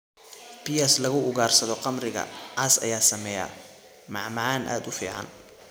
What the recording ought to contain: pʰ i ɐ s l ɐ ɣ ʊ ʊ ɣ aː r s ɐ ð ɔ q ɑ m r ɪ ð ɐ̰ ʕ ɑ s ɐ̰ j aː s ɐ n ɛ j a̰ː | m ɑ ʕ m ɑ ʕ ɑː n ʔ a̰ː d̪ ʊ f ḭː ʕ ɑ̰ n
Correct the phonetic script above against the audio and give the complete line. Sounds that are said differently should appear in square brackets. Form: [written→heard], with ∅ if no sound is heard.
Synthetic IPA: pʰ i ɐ s l ɐ ɣ ʊ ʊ ɣ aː r s ɐ ð ɔ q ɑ m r ɪ [ð→ɣ] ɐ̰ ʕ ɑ s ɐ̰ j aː s ɐ [n→m] ɛ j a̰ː | m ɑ ʕ m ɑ ʕ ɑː n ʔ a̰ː d̪ ʊ f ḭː ʕ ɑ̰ n